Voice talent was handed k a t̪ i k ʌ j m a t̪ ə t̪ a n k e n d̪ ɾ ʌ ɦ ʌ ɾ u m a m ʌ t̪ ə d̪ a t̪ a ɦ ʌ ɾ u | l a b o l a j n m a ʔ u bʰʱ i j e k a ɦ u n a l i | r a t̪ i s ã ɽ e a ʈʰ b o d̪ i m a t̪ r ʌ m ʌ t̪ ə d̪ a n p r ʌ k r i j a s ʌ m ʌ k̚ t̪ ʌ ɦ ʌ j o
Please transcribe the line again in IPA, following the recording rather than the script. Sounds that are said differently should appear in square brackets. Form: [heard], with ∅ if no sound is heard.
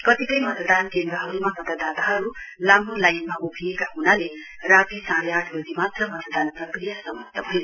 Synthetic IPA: k [ʌ] t̪ i k ʌ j m [ʌ] t̪ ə [d̪] a n k e n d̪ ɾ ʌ ɦ ʌ ɾ u m a m ʌ t̪ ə d̪ a t̪ a ɦ ʌ ɾ u | l a [m] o l a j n m a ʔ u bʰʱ i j e k a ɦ u n a l [e] | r a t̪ i s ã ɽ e a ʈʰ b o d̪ i m a t̪ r ʌ m ʌ t̪ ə d̪ a n p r ʌ k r i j a s ʌ m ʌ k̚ t̪ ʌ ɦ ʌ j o